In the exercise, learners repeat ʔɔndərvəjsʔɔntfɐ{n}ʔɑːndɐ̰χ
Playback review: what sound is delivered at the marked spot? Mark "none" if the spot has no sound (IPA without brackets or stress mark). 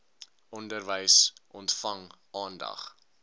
ŋ